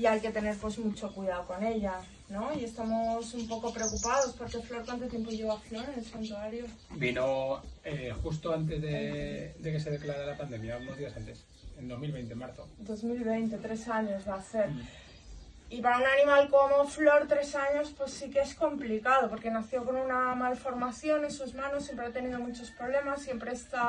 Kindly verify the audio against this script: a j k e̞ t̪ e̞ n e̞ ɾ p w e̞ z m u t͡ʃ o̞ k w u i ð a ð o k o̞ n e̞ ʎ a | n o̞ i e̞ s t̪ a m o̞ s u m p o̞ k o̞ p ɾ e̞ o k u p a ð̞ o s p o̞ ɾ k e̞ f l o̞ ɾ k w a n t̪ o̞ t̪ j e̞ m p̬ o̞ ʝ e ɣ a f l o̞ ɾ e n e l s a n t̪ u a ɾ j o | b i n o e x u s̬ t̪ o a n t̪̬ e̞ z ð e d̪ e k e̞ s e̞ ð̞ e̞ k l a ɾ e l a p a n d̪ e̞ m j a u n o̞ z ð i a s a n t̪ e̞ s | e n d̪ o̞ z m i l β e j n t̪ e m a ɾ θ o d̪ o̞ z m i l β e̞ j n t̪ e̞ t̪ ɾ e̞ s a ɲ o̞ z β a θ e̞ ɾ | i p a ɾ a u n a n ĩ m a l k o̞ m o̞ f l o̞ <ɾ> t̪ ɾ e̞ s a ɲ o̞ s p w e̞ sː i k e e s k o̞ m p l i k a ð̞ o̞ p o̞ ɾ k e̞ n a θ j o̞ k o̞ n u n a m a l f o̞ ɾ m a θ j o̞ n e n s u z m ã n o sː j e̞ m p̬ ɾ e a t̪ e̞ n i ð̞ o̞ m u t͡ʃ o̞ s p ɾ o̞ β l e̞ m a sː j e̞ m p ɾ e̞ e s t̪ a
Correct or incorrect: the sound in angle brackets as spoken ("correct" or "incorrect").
correct